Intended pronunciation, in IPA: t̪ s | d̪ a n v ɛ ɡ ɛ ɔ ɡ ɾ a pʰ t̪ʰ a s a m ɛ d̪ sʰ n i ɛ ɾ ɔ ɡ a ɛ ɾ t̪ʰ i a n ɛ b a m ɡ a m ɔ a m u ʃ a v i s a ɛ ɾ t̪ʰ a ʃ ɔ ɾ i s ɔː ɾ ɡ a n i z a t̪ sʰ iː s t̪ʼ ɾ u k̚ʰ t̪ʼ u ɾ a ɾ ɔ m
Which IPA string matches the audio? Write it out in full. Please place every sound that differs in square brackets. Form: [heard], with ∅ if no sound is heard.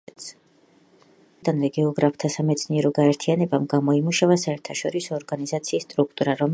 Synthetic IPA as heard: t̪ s | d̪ a n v ɛ ɡ ɛ ɔ ɡ ɾ a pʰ t̪ʰ a s a m ɛ [t̪] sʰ n i ɛ ɾ ɔ ɡ a ɛ ɾ t̪ʰ i a n ɛ b a m ɡ a m ɔ [i] m u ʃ a v [a] s a ɛ ɾ t̪ʰ a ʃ ɔ ɾ i s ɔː ɾ ɡ a n i z a t̪ sʰ iː s t̪ʼ ɾ u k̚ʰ t̪ʼ u ɾ a ɾ ɔ m